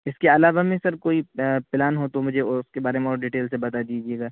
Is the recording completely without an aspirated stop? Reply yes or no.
yes